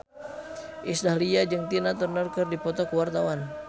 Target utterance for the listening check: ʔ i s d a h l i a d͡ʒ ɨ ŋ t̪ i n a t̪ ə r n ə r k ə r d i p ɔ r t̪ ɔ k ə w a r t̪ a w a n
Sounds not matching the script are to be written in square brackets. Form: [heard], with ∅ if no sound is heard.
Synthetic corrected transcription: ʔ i s d a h l i a d͡ʒ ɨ ŋ t̪ i n a t̪ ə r n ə r k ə r d i p ɔ [∅] t̪ ɔ k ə w a r t̪ a w a n